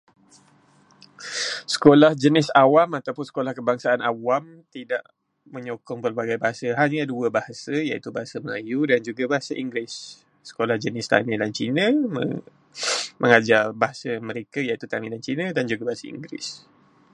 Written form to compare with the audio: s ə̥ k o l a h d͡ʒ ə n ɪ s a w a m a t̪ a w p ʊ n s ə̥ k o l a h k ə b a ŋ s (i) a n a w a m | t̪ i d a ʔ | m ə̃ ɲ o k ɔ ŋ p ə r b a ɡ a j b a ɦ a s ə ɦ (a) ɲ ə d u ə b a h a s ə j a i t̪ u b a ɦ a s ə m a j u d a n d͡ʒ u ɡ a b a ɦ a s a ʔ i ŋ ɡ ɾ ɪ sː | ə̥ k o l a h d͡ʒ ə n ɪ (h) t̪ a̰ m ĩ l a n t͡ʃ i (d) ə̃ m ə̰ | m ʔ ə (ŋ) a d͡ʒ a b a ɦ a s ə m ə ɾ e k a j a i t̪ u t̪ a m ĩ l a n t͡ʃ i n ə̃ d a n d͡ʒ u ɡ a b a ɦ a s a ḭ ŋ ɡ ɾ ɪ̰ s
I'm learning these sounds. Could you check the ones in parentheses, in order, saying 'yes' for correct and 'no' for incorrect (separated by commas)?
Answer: no, yes, no, no, yes